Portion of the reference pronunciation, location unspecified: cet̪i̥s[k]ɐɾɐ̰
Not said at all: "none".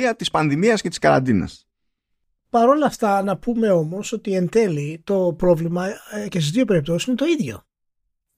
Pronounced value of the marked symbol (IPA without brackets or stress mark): k